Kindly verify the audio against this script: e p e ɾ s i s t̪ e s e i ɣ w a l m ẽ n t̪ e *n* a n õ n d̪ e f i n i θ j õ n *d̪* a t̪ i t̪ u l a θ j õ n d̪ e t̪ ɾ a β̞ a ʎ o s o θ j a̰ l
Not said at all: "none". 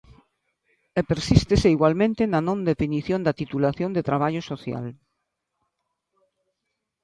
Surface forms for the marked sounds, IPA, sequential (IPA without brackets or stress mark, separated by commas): n, d̪